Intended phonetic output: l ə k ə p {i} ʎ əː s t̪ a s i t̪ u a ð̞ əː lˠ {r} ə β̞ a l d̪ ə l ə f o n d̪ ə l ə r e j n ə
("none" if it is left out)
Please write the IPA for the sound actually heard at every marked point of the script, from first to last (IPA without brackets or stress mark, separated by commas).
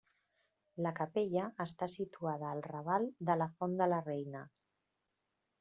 e, r